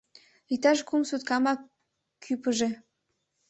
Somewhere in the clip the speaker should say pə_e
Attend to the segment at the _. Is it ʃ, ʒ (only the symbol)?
ʒ